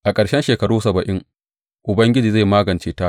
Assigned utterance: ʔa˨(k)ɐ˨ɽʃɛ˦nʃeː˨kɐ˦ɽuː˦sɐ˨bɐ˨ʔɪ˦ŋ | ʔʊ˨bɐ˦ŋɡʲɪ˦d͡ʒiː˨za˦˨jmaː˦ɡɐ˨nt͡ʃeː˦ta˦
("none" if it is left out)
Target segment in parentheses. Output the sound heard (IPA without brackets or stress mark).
kʼ